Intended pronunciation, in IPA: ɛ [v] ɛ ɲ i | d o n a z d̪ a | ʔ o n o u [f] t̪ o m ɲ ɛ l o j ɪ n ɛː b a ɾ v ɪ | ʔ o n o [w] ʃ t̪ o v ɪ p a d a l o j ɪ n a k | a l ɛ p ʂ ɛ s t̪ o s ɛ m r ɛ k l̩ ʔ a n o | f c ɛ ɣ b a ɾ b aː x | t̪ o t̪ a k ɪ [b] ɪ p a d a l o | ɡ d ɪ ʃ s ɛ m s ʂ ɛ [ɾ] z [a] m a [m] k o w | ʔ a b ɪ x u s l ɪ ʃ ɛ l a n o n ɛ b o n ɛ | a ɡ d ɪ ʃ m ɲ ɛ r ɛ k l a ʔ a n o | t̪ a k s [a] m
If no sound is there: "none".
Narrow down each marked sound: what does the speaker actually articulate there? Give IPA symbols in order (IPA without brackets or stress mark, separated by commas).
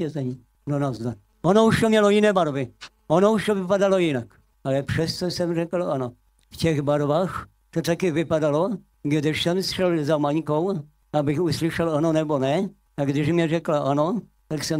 z, ʃ, u, v, l, a, ɲ, ɛ